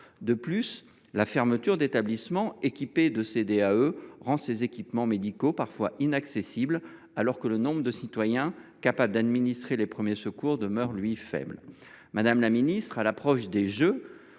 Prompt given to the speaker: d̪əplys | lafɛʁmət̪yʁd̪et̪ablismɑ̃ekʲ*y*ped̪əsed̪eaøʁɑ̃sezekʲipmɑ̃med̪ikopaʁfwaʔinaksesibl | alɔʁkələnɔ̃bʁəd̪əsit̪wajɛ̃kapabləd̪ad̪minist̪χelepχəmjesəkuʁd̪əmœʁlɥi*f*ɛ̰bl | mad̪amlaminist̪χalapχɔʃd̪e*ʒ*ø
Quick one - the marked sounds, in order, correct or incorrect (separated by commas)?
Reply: incorrect, correct, correct